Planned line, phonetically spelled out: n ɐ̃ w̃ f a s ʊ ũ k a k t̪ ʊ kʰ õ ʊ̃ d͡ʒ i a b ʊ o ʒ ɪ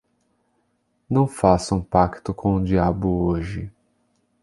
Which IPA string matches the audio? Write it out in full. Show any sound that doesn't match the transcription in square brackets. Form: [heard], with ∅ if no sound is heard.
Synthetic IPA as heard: n ɐ̃ w̃ f a s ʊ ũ [p] a k t̪ ʊ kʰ õ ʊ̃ d͡ʒ i a b ʊ o ʒ ɪ